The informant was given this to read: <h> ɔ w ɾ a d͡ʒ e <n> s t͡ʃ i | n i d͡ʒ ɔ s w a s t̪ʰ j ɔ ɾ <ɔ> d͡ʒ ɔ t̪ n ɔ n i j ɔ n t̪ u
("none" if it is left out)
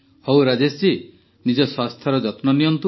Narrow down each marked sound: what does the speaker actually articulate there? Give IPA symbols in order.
h, none, ɔ

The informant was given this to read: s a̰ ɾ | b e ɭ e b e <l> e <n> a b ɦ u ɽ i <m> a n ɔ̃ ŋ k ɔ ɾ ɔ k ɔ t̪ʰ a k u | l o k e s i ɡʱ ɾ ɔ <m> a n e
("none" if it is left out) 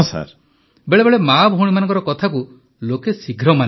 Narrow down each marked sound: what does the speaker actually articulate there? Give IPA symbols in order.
ɭ, m, m, m

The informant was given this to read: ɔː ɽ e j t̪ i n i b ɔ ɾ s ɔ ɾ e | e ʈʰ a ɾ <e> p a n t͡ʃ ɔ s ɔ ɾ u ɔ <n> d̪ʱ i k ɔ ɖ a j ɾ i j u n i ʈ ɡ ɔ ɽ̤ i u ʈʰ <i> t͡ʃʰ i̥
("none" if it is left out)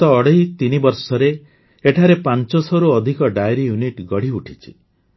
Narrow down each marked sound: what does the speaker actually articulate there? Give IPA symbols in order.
e, none, i

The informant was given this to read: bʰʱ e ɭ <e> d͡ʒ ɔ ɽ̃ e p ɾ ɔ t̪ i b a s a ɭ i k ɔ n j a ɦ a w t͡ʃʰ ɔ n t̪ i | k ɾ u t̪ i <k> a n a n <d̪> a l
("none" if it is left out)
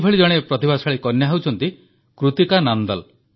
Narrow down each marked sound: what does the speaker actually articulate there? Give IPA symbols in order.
i, k, d̪

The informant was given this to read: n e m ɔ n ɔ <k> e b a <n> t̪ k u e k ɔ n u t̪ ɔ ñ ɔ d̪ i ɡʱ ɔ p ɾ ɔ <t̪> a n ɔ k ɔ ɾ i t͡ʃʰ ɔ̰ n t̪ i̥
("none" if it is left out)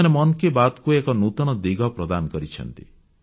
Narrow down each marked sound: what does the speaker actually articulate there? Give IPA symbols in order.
k, none, d̪

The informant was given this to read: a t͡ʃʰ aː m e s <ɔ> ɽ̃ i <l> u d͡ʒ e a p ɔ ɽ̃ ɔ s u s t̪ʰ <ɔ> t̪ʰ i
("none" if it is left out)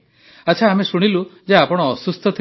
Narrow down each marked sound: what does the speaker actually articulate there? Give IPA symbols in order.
u, l, ɔ

